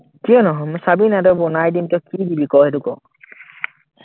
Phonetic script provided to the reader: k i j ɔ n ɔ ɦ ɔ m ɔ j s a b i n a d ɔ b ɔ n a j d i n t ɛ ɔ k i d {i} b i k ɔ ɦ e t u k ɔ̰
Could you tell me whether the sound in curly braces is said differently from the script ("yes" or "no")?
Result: no